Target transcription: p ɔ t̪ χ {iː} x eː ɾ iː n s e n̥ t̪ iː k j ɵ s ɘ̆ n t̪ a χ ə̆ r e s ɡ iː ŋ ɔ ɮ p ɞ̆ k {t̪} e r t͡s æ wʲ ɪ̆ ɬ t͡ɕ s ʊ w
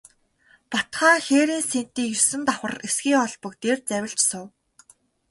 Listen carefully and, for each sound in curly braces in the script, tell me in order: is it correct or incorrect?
incorrect: aː, correct

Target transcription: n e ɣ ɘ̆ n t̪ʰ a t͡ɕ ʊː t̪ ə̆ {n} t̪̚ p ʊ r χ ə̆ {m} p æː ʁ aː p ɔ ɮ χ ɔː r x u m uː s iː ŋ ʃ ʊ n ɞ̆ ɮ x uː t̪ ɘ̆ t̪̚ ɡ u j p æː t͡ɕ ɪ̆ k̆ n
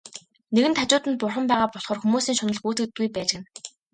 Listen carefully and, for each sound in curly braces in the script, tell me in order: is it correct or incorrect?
correct, correct

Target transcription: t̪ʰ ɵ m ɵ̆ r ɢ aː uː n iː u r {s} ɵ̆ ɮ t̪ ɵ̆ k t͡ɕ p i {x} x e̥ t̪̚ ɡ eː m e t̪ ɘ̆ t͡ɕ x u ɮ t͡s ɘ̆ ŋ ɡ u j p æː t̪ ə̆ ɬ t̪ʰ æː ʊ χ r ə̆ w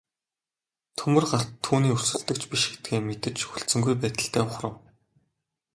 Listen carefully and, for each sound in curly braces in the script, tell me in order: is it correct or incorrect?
correct, incorrect: ʃ

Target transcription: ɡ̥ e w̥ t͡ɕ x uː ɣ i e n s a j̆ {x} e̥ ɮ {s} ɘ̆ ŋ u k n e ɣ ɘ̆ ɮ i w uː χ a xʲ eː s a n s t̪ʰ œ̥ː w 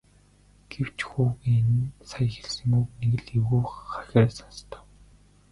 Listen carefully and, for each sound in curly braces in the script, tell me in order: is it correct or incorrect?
correct, correct

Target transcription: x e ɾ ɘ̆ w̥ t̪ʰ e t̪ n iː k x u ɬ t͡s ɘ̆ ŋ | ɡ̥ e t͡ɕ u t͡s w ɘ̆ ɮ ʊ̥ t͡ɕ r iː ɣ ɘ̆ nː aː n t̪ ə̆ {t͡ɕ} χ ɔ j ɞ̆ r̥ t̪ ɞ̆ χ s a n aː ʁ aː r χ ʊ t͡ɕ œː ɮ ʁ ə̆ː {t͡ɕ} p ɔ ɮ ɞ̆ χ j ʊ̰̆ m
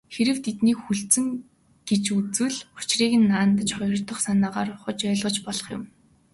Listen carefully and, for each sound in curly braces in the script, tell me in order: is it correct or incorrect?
correct, correct

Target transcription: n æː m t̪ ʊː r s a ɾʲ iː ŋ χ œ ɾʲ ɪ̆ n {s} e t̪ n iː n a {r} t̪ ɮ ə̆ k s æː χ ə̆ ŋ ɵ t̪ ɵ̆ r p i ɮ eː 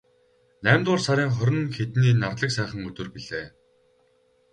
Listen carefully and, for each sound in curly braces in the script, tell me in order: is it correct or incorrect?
incorrect: x, correct

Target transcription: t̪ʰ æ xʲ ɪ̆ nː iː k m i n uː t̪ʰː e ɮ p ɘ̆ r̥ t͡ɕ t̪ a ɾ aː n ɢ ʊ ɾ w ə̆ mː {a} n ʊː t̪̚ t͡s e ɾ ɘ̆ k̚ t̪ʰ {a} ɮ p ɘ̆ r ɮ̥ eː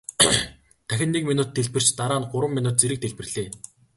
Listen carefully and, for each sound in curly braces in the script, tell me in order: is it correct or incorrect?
incorrect: i, incorrect: e

